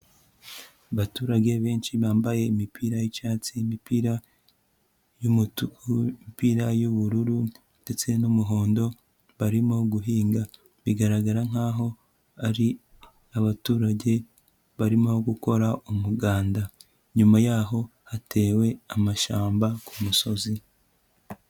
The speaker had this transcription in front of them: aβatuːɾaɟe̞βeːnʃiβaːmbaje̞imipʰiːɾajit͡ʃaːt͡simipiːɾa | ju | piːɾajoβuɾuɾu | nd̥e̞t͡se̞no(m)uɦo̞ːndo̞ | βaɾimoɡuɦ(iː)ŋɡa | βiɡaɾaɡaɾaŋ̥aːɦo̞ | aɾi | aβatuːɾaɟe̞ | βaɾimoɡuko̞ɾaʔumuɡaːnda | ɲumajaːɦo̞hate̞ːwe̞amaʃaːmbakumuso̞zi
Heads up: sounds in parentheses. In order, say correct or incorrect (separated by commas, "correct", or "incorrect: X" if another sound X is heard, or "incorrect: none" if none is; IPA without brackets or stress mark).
correct, correct